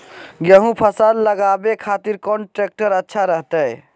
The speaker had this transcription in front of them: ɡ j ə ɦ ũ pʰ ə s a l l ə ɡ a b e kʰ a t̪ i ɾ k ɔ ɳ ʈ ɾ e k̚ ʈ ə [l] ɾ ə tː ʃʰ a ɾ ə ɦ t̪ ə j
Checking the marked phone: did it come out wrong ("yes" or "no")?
yes